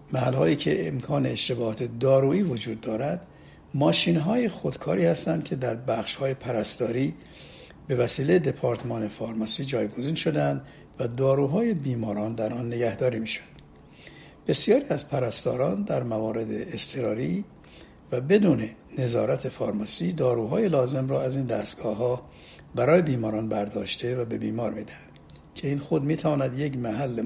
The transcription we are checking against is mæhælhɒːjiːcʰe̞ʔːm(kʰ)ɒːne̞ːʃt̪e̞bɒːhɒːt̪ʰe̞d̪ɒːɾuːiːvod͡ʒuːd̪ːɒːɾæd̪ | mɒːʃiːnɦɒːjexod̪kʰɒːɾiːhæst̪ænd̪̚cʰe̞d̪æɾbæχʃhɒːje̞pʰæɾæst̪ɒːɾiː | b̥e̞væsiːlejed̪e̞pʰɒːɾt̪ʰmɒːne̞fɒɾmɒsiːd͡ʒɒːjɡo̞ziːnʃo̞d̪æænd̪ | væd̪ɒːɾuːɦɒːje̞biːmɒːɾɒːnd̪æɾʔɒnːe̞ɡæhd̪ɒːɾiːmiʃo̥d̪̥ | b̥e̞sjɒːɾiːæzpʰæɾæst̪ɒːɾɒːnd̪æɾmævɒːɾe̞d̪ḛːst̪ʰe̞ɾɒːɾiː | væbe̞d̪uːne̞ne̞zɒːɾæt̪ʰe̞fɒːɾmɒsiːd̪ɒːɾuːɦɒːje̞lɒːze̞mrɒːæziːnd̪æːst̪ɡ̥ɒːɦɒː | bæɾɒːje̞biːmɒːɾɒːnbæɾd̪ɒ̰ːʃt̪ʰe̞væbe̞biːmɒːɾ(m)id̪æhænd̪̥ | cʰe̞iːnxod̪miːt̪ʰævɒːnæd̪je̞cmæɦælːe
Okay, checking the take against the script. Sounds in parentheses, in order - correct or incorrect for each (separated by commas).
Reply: correct, correct